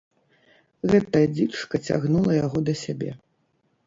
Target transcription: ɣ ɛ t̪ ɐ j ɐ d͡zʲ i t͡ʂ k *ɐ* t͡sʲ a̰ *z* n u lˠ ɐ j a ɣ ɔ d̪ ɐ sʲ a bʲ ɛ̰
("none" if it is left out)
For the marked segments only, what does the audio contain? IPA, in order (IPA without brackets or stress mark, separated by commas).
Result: ɐ, ɣ